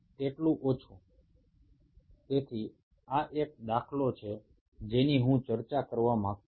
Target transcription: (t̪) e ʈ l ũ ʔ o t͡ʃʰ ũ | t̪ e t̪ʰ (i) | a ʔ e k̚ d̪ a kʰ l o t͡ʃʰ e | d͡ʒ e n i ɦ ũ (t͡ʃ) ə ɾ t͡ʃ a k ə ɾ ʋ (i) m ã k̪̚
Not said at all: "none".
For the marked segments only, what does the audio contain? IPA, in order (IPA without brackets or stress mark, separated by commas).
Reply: t̪, i, t͡ʃ, a